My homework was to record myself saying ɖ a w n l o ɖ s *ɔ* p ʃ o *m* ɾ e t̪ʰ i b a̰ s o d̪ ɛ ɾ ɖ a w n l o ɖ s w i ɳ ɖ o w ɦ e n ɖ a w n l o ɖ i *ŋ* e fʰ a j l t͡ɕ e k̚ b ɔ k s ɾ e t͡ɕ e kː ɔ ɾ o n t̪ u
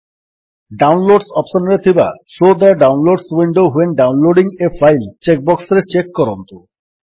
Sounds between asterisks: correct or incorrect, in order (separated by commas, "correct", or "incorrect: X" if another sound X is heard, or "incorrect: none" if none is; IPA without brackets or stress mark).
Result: correct, incorrect: n, correct